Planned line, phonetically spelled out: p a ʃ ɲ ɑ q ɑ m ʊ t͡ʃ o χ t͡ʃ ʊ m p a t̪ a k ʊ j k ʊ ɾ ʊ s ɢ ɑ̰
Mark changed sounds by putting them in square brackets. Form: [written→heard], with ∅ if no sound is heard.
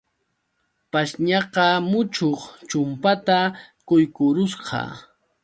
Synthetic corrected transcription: p a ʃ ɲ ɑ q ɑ m ʊ t͡ʃ o χ t͡ʃ ʊ m p a t̪ a k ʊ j k ʊ ɾ ʊ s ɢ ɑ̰